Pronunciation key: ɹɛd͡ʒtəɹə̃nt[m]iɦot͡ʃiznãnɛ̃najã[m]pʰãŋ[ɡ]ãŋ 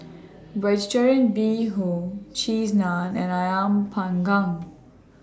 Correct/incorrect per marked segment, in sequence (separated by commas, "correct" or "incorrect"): incorrect, correct, correct